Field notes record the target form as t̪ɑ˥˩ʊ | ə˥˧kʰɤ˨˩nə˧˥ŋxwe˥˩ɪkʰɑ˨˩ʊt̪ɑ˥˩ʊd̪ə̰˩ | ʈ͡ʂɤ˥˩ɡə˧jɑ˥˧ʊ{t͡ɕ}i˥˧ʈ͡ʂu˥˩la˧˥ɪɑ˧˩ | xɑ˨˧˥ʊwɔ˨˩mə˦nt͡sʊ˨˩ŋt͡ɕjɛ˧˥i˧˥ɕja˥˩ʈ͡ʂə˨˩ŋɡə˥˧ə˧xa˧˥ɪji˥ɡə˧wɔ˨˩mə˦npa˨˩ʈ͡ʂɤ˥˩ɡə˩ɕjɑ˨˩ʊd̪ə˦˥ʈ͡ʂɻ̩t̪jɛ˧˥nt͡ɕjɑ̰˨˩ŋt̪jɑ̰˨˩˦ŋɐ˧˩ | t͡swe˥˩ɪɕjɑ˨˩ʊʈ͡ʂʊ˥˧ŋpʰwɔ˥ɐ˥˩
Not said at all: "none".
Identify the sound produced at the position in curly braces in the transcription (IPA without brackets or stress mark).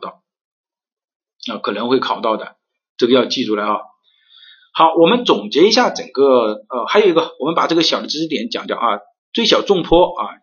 t͡ɕ